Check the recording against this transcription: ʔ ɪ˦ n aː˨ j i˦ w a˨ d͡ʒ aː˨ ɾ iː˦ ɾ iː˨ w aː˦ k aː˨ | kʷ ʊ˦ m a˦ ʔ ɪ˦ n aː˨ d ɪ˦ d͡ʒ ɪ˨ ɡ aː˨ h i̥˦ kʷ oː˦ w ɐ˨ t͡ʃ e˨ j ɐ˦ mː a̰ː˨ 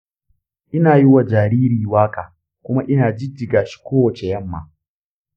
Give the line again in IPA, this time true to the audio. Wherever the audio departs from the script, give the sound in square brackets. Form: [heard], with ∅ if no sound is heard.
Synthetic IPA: ʔ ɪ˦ n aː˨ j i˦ w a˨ d͡ʒ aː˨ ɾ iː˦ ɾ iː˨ w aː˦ k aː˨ | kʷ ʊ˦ m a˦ ʔ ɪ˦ n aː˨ [d͡ʒ] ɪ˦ d͡ʒ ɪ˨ ɡ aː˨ [ʃ] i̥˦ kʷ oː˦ w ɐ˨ t͡ʃ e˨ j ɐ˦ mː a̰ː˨